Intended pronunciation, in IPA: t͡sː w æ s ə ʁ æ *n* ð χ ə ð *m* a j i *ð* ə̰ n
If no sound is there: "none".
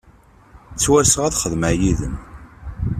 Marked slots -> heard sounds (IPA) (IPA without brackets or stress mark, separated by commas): none, m, ð